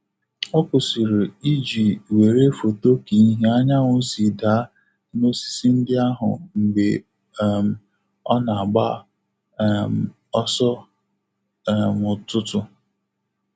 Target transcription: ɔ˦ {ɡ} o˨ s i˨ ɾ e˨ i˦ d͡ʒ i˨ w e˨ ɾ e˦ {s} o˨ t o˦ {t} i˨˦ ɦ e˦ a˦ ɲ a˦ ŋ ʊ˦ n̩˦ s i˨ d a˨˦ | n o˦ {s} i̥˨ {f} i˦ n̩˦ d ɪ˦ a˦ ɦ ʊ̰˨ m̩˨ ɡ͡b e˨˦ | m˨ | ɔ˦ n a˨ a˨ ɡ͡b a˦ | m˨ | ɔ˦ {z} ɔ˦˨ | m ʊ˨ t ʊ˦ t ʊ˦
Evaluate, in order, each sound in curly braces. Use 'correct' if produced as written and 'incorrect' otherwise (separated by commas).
incorrect, incorrect, incorrect, correct, incorrect, incorrect